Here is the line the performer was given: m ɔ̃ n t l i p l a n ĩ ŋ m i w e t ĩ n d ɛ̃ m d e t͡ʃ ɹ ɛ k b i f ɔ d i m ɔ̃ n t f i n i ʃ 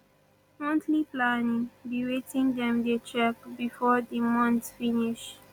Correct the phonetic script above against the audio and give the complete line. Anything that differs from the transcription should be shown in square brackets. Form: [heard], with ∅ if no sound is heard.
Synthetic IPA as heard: m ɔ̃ n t l i p l a n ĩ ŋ [b] i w e t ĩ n d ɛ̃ m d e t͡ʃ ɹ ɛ k b i f ɔ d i m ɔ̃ n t f i n i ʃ